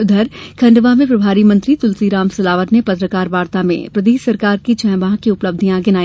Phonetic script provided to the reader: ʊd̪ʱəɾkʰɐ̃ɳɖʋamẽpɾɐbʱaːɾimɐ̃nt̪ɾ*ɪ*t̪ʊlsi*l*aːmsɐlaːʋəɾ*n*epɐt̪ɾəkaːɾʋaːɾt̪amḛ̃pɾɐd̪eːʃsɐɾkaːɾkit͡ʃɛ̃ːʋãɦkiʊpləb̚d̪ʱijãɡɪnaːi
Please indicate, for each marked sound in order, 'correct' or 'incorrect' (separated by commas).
incorrect, incorrect, correct